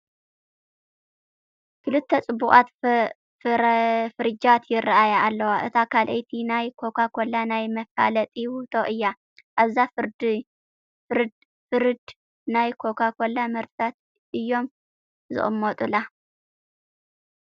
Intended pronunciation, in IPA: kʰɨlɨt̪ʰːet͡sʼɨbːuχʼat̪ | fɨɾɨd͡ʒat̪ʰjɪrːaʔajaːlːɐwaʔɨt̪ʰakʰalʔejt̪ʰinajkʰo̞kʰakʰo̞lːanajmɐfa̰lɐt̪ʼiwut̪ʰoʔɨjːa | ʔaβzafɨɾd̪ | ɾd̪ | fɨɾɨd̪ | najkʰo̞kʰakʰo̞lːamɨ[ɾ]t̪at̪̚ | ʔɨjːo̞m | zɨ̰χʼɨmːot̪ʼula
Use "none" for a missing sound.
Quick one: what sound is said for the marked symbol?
ɾ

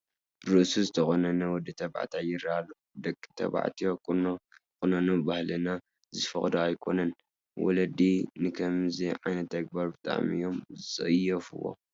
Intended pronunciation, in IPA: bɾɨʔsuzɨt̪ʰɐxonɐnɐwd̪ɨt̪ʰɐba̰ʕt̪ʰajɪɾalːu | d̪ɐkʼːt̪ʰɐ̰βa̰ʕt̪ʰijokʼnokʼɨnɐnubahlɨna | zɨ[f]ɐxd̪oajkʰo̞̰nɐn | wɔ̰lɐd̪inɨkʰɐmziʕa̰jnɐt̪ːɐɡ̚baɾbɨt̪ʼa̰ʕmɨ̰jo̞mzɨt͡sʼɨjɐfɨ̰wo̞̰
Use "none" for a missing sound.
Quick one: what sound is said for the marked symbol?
f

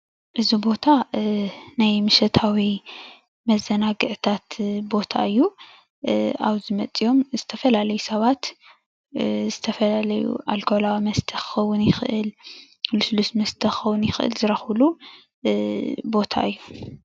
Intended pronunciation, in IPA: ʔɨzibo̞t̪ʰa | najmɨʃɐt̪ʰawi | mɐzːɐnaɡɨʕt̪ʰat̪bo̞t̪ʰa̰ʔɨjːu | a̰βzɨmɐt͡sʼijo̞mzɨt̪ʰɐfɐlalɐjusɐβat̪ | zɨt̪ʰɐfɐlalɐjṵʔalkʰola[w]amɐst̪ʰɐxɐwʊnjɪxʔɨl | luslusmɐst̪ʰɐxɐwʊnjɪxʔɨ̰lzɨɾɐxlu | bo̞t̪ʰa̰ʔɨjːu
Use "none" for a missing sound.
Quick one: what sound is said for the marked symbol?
w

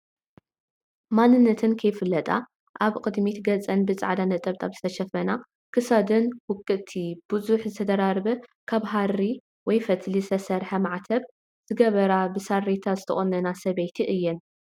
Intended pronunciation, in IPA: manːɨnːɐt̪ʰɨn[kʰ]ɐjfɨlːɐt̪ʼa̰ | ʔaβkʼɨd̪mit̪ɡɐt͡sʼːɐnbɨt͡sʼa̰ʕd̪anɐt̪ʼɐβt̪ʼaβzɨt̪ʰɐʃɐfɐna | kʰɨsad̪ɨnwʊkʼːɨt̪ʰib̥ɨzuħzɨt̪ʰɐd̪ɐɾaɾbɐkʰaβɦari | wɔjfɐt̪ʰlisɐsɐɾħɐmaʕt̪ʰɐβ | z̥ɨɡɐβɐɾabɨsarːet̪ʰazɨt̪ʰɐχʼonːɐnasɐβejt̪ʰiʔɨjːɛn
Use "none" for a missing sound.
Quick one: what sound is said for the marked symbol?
kʰ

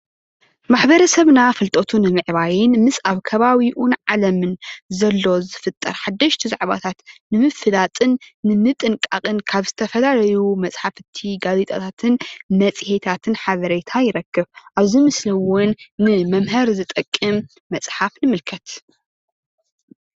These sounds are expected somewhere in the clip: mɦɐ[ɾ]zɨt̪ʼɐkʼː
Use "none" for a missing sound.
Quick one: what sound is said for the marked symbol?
ɾ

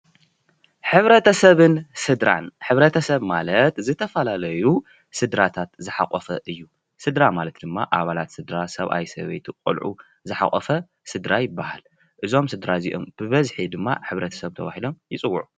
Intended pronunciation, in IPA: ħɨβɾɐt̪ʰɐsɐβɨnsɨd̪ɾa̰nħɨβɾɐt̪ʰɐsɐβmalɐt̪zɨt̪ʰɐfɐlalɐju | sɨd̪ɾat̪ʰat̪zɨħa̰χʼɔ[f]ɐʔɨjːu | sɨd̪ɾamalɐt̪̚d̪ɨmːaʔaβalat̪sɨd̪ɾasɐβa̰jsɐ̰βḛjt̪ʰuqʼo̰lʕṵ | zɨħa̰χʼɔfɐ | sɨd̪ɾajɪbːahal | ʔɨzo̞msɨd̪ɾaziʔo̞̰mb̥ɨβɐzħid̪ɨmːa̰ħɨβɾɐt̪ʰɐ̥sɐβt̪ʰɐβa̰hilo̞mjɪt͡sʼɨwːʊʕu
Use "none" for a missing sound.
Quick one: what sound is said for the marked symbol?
f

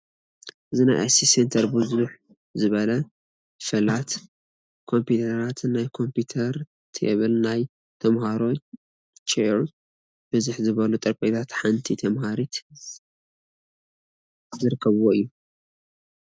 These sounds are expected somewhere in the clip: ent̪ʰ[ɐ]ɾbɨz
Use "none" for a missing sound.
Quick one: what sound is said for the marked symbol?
ɐ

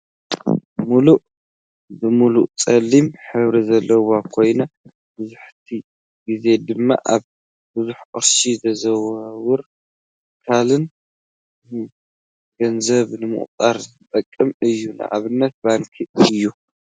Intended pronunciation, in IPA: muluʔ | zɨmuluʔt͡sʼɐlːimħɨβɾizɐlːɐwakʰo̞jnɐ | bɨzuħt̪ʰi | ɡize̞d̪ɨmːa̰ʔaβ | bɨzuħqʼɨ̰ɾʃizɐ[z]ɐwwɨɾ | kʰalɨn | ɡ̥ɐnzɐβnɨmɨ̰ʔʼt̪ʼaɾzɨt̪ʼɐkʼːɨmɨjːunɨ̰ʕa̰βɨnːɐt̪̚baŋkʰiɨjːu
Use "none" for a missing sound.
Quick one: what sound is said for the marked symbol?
z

